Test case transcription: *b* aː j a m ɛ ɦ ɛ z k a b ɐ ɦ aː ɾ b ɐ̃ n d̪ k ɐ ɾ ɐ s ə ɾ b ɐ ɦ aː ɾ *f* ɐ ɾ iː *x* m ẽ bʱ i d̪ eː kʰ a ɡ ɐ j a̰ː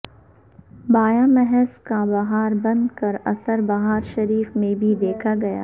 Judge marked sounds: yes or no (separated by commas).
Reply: yes, no, no